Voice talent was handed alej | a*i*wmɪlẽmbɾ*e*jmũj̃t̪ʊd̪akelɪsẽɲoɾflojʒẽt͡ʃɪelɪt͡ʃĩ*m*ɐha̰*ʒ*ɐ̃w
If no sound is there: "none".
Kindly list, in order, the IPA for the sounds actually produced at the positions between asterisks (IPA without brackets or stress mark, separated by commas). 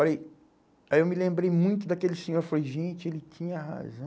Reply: e, e, ɲ, z